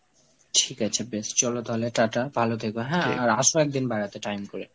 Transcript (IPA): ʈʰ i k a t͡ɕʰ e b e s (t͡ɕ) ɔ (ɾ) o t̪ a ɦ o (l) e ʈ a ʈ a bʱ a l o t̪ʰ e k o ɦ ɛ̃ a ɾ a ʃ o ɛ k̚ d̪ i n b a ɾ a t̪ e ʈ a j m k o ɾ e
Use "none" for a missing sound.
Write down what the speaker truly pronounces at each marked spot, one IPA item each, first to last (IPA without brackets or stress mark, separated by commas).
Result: t͡ɕ, l, l